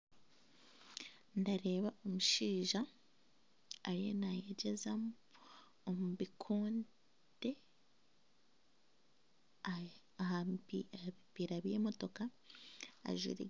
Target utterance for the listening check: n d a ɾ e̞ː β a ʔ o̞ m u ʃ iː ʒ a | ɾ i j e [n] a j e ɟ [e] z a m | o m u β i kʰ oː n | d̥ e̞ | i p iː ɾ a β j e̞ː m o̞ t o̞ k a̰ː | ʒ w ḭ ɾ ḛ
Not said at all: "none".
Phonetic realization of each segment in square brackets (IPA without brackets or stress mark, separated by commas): n, e